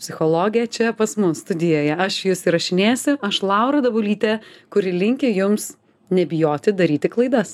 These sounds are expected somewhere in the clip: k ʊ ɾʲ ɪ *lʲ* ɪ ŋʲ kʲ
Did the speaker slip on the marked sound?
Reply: no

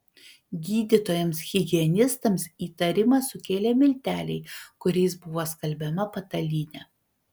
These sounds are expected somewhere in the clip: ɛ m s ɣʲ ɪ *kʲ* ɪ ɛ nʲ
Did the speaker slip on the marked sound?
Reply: yes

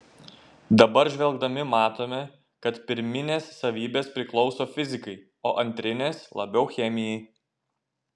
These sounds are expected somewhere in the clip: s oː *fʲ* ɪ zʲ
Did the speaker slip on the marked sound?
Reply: no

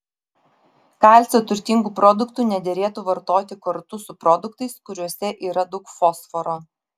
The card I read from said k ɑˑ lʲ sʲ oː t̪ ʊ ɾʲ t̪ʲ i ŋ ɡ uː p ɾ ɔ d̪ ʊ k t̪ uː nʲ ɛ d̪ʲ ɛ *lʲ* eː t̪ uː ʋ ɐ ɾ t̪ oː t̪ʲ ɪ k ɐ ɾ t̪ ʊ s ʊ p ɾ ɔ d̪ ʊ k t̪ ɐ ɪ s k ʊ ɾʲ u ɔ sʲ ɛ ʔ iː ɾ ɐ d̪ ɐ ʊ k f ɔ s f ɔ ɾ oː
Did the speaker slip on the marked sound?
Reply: yes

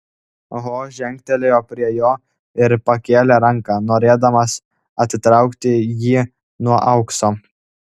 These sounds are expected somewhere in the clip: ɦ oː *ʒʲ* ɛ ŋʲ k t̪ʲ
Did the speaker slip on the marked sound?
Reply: no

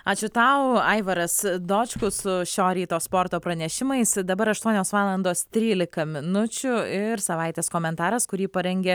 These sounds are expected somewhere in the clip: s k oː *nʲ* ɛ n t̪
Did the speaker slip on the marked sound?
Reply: yes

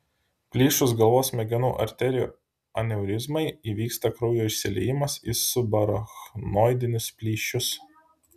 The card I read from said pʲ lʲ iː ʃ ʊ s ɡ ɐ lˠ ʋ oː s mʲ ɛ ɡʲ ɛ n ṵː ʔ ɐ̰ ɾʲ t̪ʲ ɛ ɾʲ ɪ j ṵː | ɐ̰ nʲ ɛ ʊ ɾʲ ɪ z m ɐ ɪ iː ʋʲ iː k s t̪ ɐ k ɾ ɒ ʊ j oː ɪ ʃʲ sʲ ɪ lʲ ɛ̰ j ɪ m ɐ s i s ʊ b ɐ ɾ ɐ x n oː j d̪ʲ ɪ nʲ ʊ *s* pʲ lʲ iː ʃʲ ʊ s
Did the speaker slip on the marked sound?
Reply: no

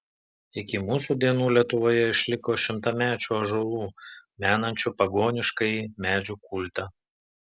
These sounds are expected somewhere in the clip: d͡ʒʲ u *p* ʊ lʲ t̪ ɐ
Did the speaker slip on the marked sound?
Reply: yes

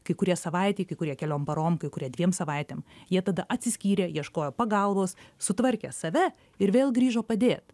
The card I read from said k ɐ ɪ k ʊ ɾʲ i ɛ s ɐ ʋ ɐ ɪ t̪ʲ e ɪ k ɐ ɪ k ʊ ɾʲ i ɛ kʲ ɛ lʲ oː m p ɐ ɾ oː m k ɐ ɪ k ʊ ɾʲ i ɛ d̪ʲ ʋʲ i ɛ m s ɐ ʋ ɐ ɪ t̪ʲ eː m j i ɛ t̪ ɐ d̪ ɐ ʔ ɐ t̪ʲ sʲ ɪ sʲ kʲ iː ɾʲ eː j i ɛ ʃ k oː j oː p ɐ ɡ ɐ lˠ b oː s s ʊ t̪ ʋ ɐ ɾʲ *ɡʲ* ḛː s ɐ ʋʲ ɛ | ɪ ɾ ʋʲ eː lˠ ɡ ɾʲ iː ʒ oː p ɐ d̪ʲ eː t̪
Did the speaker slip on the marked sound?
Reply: yes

